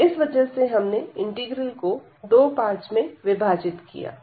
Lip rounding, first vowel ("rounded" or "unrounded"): unrounded